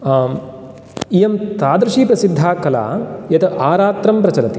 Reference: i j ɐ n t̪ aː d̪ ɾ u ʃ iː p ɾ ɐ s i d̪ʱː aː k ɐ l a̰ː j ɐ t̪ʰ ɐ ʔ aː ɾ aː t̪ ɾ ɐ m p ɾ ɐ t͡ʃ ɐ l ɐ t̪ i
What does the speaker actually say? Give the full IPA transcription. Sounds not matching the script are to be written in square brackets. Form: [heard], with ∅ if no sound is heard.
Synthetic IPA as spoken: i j ɐ [m] t̪ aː d̪ ɾ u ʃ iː p ɾ ɐ s i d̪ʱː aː k ɐ l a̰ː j ɐ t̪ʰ ɐ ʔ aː ɾ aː t̪ ɾ ɐ m p ɾ ɐ t͡ʃ ɐ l ɐ t̪ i